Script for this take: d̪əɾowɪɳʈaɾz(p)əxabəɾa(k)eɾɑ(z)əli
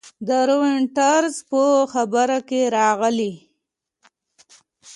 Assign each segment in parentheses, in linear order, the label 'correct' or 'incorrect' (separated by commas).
correct, correct, incorrect